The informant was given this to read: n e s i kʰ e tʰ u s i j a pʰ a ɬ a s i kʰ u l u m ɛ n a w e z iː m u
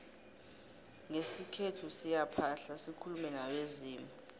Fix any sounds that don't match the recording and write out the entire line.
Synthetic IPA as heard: ŋ e s i kʰ e tʰ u s i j a pʰ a ɬ a s i kʰ u l u m ɛ n a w e z iː m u